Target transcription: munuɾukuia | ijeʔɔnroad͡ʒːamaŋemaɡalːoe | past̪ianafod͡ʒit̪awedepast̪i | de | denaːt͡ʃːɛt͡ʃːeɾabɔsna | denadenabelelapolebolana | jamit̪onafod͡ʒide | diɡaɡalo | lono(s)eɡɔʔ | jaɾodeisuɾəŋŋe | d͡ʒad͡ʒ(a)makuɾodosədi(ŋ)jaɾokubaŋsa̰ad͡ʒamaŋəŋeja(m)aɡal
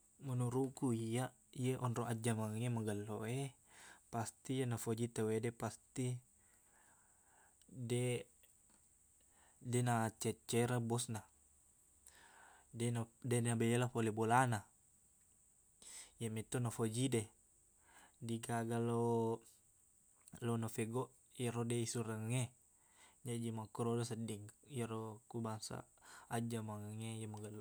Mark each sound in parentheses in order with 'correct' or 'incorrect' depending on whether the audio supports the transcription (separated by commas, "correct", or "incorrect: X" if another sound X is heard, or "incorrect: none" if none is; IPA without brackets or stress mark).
incorrect: f, incorrect: i, correct, correct